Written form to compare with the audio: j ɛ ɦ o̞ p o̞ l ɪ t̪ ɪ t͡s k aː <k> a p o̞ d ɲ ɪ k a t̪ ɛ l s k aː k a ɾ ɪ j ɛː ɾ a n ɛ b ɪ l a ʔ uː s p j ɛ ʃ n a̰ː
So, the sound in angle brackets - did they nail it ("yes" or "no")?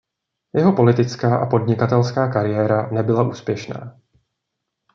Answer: no